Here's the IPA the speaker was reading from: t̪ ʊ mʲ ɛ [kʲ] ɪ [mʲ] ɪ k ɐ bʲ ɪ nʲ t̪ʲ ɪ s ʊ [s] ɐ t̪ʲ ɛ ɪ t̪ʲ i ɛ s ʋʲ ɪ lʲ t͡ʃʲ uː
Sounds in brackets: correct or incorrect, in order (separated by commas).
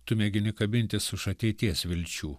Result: incorrect, incorrect, incorrect